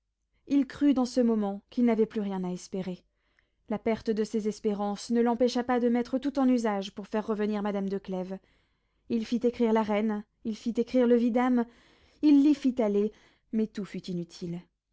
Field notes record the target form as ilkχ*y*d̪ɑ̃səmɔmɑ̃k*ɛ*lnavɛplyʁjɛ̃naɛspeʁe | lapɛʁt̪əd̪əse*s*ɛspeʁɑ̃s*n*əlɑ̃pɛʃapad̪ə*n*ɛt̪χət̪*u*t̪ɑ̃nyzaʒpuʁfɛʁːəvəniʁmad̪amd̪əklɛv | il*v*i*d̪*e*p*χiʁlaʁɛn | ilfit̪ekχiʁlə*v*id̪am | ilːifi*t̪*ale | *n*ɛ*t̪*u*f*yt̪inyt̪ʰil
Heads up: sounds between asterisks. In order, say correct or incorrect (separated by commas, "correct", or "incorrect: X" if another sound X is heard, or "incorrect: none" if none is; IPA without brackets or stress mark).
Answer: correct, incorrect: i, incorrect: z, correct, incorrect: m, correct, incorrect: f, incorrect: t̪, incorrect: k, correct, correct, incorrect: m, correct, correct